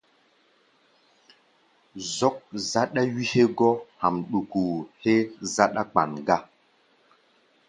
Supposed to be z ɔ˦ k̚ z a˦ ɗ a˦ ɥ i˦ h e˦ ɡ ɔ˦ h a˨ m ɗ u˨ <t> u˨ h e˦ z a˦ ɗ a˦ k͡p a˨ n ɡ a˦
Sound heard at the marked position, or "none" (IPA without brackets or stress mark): k